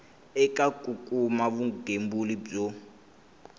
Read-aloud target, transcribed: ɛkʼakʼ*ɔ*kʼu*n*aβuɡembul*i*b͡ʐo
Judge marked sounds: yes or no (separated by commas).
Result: no, no, yes